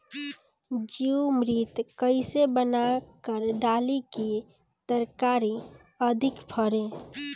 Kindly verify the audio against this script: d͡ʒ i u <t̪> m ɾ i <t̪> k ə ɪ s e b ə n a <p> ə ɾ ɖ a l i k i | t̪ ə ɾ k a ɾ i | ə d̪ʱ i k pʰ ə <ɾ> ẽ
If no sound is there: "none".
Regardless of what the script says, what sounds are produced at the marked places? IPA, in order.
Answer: none, t̪, k, ɾ

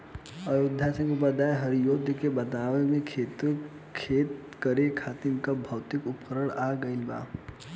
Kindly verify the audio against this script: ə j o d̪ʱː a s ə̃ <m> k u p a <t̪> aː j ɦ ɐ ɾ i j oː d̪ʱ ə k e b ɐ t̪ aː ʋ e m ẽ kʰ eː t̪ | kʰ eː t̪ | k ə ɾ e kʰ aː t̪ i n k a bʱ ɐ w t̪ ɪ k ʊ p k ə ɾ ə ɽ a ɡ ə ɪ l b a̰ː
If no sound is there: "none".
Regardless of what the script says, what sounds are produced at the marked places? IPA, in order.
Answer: ŋ, d̪

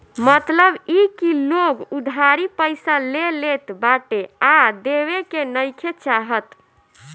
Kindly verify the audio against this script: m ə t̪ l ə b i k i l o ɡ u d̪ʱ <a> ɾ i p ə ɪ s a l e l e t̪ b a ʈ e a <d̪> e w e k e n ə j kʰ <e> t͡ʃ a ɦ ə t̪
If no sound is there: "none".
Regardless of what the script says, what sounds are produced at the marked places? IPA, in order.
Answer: a, d̪, e

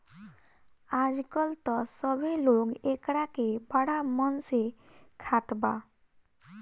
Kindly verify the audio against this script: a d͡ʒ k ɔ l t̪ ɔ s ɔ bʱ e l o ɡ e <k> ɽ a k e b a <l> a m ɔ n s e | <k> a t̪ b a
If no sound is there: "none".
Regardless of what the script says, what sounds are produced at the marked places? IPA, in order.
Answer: k, ɽ, kʰ

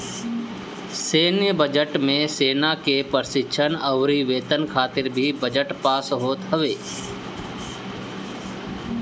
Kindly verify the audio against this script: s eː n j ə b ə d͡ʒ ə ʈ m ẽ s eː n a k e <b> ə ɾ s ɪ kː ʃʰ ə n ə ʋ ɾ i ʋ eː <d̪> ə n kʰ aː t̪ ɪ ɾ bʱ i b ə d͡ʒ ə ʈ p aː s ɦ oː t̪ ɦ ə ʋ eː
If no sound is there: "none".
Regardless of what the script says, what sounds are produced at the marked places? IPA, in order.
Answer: p, t̪

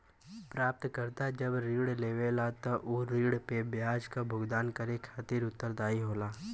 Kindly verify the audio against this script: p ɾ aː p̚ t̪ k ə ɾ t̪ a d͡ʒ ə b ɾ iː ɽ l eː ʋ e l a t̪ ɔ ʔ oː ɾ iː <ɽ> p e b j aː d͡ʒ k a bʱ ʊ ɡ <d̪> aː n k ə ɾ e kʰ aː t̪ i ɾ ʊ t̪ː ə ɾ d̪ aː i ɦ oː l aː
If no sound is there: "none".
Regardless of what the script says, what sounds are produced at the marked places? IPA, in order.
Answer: ɽ, d̪

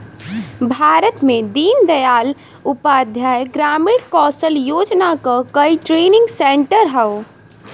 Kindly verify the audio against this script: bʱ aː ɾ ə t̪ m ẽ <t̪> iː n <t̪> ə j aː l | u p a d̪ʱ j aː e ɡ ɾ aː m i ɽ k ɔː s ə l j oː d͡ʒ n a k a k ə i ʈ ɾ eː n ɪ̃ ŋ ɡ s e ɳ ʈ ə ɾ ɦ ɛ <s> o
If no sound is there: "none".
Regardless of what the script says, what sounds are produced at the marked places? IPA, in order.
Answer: d̪, d̪, none

